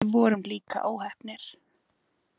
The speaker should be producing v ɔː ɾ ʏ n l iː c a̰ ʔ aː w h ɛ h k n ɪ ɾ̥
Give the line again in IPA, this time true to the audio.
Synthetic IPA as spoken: v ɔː ɾ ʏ m l iː k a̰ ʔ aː w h ɛ h p n ɪ ɾ̥